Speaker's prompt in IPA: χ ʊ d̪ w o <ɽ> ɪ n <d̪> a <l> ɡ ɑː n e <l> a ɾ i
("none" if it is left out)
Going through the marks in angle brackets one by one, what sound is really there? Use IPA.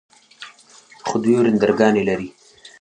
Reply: ɾ, d̪, ɾ, l

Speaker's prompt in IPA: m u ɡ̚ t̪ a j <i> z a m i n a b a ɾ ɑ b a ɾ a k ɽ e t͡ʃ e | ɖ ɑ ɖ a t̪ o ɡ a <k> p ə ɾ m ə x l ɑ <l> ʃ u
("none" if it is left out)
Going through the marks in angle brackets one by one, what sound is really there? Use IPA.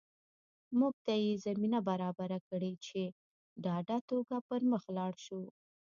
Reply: e, none, ɽ

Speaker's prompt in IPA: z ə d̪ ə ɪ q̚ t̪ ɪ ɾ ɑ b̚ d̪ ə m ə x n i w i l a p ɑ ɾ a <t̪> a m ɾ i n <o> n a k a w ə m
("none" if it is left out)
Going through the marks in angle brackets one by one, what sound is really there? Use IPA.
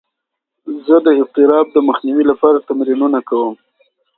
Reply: t̪, u

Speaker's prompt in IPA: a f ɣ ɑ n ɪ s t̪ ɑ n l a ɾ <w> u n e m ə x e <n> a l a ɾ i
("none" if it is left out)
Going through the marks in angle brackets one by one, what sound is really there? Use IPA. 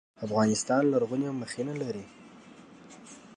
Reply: ɣ, n

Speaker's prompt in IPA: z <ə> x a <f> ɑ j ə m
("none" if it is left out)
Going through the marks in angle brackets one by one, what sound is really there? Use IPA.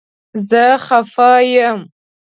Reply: ə, f

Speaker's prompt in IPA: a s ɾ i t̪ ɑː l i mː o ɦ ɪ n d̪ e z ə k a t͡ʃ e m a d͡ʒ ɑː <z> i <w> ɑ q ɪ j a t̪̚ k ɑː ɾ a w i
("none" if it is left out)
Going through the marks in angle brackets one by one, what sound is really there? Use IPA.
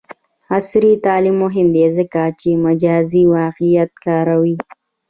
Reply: z, w

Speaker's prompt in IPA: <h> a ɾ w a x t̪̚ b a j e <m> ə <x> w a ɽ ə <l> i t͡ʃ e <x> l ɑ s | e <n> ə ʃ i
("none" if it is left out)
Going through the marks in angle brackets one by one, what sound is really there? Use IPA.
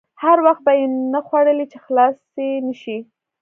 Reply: h, n, x, l, x, n

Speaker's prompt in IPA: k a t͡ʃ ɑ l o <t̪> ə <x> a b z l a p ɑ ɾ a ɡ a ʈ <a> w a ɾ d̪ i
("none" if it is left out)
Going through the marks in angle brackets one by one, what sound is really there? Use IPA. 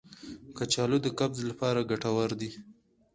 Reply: d̪, k, a

